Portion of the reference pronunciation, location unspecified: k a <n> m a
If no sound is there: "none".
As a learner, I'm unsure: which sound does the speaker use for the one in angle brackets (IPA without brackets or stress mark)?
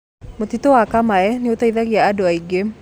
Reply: none